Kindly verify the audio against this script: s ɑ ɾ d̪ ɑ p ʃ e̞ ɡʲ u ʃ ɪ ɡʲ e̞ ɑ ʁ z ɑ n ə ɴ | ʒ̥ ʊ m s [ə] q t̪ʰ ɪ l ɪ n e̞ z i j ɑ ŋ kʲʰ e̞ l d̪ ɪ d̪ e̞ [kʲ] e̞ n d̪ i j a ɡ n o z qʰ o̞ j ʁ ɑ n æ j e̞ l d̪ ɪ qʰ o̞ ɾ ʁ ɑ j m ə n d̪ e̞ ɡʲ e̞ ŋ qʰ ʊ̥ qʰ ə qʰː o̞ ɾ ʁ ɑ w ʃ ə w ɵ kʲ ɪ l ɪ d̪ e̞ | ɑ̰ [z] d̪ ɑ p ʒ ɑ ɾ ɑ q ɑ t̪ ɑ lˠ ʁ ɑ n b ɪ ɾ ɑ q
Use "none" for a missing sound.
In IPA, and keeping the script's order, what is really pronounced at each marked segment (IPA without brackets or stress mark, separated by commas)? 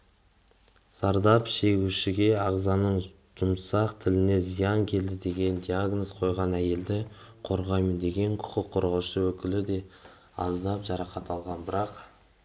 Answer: ɑ, ɡʲ, z